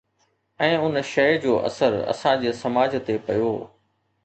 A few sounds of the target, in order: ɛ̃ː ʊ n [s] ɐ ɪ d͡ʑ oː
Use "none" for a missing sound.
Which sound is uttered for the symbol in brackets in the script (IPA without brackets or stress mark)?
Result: ʃ